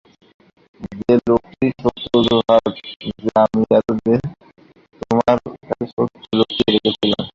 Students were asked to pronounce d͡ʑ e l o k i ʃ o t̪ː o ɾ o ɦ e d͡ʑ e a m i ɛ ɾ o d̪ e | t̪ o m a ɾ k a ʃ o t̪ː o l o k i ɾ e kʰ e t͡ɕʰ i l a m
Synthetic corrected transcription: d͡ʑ e l o k i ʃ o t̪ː o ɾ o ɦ a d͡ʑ e a m i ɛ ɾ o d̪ e | t̪ o m a ɾ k a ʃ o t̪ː o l o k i ɾ e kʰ e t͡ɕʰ i l a m